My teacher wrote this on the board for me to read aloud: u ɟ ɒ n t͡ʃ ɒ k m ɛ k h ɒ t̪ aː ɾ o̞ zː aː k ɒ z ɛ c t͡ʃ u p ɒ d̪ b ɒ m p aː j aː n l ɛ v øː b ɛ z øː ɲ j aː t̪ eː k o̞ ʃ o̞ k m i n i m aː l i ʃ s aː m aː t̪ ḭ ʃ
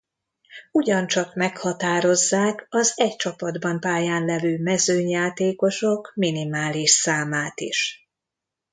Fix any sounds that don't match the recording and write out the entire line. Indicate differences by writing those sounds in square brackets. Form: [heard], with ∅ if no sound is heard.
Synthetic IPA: u ɟ ɒ n t͡ʃ ɒ k m ɛ k h ɒ t̪ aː ɾ o̞ zː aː k ɒ z ɛ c t͡ʃ [ɒ] p ɒ d̪ b ɒ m p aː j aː n l ɛ v øː [m] ɛ z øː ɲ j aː t̪ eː k o̞ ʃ o̞ k m i n i m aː l i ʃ s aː m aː t̪ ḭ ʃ